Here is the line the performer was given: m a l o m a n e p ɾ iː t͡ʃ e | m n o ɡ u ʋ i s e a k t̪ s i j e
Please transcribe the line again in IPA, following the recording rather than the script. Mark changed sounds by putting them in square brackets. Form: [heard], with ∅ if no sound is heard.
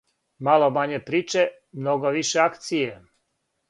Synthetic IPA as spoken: m a l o m a [ɲ] e p ɾ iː t͡ʃ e | m n o ɡ [o] ʋ i [ʃ] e a k t̪ s i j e